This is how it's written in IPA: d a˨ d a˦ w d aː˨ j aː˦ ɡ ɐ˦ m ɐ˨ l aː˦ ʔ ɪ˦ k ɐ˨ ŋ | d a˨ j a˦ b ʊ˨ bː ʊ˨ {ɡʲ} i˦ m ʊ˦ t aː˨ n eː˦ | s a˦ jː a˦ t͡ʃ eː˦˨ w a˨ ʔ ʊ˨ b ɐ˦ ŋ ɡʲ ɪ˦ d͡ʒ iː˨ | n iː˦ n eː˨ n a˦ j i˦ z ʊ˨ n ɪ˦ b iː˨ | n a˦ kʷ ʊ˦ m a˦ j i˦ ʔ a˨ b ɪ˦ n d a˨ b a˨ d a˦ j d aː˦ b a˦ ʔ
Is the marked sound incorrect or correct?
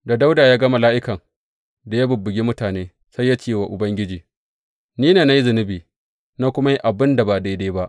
correct